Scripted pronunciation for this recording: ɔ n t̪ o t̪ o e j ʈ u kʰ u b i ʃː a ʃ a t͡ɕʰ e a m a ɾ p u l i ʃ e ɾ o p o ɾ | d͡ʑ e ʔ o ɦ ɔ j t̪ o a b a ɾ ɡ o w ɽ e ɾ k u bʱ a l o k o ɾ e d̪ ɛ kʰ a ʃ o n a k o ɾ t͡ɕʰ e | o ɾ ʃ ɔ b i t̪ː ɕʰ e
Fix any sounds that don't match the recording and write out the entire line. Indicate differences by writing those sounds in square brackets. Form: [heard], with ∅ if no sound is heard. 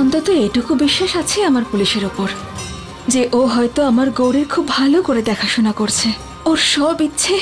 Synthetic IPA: ɔ n t̪ o t̪ o e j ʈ u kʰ u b i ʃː a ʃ a t͡ɕʰ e a m a ɾ p u l i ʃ e ɾ o p o ɾ | d͡ʑ e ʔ o ɦ ɔ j t̪ o a [m] a ɾ ɡ o w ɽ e ɾ [kʰ] u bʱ a l o k o ɾ e d̪ ɛ kʰ a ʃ o n a k o ɾ t͡ɕʰ e | o ɾ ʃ ɔ b i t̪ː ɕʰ e